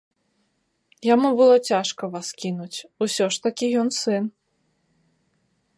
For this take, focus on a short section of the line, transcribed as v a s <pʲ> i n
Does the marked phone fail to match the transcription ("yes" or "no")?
yes